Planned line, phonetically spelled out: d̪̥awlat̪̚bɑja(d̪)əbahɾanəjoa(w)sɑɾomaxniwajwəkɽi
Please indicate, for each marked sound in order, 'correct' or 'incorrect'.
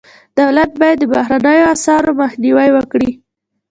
incorrect: d̪ː, incorrect: none

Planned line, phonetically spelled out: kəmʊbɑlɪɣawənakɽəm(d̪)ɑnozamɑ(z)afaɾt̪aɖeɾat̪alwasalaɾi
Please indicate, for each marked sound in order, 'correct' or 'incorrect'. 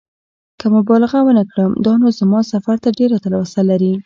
correct, incorrect: s

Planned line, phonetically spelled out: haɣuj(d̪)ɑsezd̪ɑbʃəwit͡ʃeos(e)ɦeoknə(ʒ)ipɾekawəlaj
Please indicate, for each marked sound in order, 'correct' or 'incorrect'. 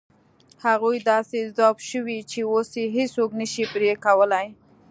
correct, correct, incorrect: ʃ

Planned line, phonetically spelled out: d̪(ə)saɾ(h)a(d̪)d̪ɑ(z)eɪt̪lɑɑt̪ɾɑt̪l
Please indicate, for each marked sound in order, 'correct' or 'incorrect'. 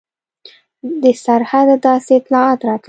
correct, correct, correct, incorrect: s

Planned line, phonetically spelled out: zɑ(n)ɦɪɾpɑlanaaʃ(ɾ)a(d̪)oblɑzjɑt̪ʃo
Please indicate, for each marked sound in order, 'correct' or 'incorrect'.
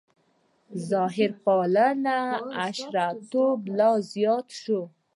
incorrect: none, correct, incorrect: t̪

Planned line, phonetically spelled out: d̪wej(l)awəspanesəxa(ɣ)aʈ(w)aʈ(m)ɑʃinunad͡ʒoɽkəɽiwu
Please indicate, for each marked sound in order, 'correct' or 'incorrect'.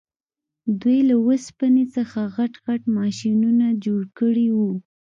correct, correct, incorrect: ɣ, correct

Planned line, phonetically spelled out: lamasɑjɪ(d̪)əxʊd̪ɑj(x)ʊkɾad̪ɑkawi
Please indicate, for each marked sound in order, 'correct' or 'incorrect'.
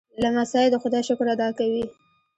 correct, incorrect: ʃ

